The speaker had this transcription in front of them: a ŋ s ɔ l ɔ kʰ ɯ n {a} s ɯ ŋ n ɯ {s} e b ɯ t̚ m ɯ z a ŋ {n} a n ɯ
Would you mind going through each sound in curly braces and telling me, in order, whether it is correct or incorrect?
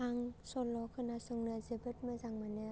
correct, incorrect: z, incorrect: m

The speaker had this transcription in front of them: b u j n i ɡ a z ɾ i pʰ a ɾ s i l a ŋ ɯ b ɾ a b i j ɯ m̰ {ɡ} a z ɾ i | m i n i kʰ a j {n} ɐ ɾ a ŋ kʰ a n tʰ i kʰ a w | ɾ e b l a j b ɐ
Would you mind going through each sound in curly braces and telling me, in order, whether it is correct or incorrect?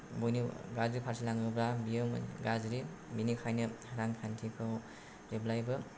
correct, correct

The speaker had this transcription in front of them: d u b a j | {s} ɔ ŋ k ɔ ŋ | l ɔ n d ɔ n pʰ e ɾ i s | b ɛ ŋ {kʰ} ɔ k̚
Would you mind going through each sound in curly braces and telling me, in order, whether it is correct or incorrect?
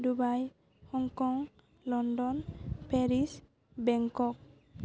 incorrect: h, incorrect: k

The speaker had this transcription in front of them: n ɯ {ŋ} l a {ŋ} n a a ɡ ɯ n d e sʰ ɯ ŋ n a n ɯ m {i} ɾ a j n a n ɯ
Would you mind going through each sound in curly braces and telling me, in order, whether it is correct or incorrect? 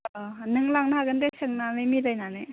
correct, correct, correct

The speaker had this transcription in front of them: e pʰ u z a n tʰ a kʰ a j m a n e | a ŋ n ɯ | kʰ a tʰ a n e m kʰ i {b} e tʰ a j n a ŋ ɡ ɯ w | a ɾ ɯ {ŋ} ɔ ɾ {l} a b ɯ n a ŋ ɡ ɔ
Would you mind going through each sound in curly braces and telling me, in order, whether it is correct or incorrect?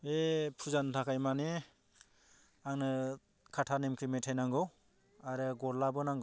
incorrect: m, incorrect: ɡ, correct

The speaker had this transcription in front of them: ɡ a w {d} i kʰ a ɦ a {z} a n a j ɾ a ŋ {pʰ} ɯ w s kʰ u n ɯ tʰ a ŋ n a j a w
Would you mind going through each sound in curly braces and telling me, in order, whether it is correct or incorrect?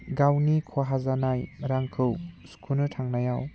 incorrect: n, correct, incorrect: kʰ

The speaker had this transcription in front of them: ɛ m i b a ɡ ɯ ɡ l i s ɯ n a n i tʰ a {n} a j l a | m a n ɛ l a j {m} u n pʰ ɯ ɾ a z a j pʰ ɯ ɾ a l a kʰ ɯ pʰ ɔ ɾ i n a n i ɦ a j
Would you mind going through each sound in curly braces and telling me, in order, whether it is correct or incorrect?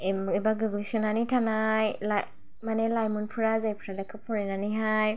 correct, correct

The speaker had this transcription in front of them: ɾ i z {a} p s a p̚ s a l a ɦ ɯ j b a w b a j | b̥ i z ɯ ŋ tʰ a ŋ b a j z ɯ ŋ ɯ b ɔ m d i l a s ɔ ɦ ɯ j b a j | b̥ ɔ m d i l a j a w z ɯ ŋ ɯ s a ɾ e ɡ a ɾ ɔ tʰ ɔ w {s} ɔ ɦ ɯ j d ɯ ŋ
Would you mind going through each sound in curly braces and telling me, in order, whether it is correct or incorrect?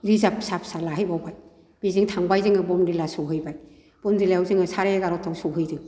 correct, correct

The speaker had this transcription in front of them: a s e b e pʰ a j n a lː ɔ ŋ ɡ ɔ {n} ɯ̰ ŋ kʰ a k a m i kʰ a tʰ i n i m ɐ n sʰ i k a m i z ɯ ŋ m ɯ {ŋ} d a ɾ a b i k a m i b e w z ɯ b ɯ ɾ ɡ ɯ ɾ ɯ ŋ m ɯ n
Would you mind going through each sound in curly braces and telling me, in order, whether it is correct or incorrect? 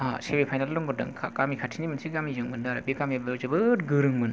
incorrect: d, incorrect: n

